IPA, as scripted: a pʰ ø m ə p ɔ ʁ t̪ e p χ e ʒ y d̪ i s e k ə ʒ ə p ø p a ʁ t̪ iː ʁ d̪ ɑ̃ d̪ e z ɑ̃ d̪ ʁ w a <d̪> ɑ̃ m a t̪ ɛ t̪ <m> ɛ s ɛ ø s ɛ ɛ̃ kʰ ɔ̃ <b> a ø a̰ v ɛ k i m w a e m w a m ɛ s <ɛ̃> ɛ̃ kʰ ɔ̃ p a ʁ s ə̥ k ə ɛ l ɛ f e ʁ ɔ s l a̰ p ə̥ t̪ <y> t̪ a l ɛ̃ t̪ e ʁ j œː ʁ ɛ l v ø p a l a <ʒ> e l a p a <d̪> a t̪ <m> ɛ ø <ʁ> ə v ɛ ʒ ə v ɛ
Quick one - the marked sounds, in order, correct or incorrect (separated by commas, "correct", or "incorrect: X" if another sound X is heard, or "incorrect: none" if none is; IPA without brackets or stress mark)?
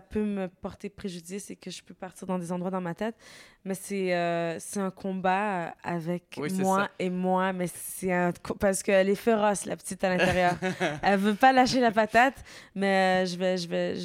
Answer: correct, correct, correct, incorrect: ɛ, incorrect: i, incorrect: ʃ, incorrect: t̪, correct, incorrect: ʒ